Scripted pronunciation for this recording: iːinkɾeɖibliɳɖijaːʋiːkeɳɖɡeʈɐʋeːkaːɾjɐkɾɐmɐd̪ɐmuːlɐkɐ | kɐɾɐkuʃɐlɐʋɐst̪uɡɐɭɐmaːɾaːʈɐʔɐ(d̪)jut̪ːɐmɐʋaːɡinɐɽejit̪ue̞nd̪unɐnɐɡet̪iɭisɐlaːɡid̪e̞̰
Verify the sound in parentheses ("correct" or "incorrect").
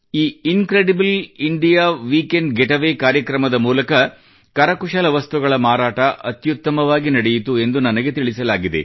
incorrect